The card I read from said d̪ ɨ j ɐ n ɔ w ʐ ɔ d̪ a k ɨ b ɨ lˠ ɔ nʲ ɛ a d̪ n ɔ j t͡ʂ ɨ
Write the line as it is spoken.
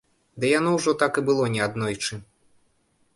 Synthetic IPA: d̪ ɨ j a n ɔ w ʐ ɔ t̪ a k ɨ b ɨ lˠ ɔ nʲ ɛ a d̪ n ɔ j t͡ʂ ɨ